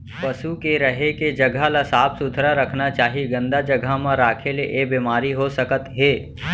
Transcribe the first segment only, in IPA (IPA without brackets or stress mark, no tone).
p